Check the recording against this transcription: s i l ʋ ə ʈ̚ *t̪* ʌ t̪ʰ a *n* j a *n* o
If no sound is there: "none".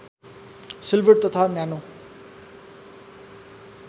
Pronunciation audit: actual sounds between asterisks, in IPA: t̪, n, n

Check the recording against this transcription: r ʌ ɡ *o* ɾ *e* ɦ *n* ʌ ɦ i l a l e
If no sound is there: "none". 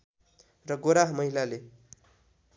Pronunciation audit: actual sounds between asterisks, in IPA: o, a, m

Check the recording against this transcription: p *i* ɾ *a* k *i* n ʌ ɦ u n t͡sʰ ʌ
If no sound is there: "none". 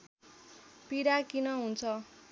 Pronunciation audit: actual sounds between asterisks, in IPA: i, a, i

